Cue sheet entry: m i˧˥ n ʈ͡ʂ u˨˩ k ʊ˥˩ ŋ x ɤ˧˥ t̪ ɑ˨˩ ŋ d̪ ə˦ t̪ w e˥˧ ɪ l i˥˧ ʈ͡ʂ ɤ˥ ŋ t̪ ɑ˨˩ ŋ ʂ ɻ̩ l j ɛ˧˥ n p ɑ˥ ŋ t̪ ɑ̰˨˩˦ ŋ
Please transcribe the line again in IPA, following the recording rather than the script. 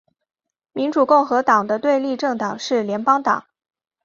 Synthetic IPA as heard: m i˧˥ n ʈ͡ʂ u˨˩ k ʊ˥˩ ŋ x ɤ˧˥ t̪ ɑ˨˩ ŋ d̪ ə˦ t̪ w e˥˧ ɪ l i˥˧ ʈ͡ʂ ɤ˥˩ ŋ t̪ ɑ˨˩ ŋ ʂ ɻ̩ l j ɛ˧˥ n p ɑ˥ ŋ t̪ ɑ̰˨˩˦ ŋ